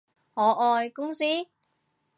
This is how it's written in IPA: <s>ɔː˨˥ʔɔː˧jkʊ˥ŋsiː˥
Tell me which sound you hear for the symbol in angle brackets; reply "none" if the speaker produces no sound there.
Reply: h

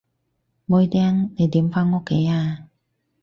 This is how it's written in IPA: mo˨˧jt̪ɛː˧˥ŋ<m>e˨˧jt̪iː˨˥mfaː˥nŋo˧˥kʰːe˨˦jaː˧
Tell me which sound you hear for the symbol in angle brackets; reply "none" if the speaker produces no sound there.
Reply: n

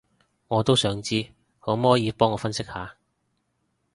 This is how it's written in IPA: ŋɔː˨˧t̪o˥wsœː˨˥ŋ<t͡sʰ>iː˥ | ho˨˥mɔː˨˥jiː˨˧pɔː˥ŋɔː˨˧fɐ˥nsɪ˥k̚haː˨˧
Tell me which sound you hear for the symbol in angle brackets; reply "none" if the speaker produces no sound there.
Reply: t͡s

